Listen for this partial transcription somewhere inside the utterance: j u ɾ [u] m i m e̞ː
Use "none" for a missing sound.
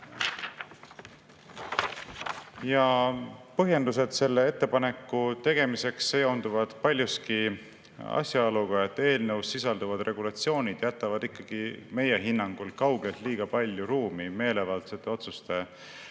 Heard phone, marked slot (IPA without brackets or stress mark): uː